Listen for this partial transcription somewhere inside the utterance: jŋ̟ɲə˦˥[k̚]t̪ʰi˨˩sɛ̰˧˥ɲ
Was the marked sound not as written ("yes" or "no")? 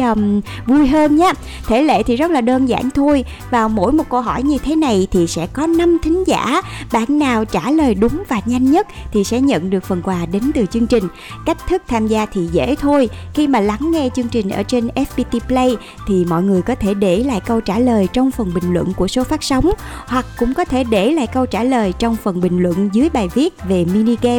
yes